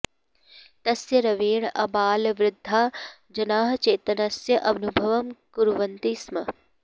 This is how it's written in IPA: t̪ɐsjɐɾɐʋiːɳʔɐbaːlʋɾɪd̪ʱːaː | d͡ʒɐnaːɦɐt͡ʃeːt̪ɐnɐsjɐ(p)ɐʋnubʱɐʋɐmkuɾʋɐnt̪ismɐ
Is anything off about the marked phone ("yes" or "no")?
yes